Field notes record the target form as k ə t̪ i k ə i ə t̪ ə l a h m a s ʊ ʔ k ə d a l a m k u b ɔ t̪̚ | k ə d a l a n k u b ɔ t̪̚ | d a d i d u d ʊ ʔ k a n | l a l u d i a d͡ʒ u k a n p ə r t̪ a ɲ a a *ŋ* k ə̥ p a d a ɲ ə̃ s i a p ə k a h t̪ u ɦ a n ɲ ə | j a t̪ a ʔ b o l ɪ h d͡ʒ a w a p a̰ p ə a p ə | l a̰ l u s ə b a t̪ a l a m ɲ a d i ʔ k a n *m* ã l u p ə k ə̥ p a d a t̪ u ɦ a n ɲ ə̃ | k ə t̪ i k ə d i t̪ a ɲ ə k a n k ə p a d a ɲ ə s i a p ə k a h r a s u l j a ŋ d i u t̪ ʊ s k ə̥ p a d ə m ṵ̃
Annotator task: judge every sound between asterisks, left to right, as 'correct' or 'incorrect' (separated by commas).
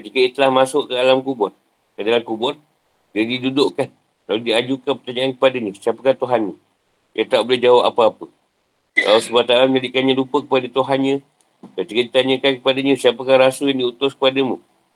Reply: incorrect, incorrect